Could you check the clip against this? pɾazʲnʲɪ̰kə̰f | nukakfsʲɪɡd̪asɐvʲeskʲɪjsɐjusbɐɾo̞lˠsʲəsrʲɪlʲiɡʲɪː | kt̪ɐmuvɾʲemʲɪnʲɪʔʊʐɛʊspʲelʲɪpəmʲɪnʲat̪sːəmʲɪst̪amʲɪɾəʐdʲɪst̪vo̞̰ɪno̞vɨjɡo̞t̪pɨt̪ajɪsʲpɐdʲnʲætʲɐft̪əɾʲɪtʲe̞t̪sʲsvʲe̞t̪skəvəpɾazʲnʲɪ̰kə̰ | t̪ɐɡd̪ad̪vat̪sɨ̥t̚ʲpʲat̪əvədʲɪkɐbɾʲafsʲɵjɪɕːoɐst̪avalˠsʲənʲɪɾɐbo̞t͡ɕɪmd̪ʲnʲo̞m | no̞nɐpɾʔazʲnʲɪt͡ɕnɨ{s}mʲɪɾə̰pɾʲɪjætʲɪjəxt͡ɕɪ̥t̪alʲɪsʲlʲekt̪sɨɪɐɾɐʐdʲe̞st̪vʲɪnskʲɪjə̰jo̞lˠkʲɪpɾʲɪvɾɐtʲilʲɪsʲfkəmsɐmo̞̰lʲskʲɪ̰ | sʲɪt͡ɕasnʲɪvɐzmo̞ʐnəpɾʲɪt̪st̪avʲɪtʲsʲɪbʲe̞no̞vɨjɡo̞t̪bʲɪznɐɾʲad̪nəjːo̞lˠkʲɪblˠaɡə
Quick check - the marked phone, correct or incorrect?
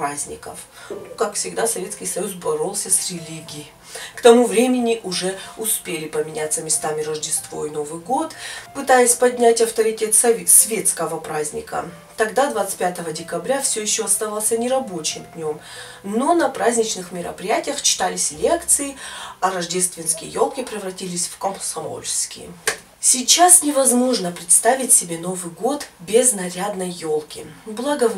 incorrect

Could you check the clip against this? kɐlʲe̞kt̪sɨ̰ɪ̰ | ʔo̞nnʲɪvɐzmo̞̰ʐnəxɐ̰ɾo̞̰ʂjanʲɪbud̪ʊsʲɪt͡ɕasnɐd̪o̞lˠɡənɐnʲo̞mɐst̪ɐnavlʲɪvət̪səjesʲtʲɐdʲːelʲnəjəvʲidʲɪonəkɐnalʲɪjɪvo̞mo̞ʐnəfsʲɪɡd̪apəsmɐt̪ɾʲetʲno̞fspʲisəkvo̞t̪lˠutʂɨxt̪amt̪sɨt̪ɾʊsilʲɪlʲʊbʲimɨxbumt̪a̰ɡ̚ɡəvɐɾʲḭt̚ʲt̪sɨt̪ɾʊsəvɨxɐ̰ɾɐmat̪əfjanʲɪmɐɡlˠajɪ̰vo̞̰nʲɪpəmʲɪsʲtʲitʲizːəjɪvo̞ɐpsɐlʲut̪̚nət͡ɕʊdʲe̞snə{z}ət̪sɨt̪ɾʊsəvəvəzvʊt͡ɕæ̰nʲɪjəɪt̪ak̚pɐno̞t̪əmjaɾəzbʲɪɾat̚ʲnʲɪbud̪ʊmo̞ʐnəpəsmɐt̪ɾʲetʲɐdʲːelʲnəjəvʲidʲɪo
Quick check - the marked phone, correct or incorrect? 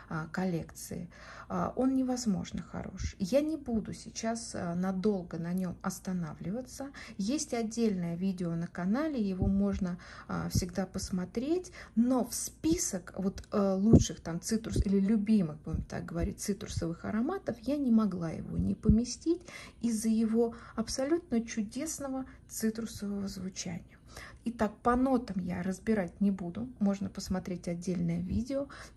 incorrect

